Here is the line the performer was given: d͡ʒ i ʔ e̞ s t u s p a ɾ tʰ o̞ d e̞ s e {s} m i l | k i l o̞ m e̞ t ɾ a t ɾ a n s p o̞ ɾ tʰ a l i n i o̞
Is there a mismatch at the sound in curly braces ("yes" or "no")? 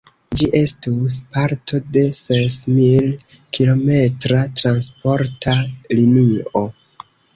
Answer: no